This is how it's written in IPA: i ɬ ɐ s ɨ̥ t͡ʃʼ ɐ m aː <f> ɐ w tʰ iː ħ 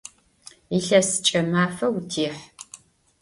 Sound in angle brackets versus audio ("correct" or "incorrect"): correct